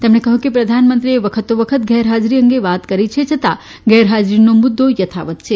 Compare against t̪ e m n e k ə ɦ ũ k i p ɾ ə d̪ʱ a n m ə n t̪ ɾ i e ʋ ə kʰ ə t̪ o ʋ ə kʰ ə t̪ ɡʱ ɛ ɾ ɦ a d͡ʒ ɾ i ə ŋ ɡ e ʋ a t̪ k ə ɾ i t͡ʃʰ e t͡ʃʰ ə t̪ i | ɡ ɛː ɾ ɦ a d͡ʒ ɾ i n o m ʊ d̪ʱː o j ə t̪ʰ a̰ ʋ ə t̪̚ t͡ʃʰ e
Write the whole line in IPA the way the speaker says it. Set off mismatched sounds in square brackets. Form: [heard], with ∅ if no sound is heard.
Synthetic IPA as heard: t̪ e m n e k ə ɦ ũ k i p ɾ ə d̪ʱ a n m ə n t̪ ɾ i e ʋ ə kʰ ə t̪ o ʋ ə kʰ ə t̪ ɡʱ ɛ ɾ ɦ a d͡ʒ ɾ i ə ŋ ɡ e ʋ a t̪ k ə ɾ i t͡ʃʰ e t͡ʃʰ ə t̪ [a] | ɡ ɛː ɾ ɦ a d͡ʒ ɾ i n o m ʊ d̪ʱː o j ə t̪ʰ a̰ ʋ ə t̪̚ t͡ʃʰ e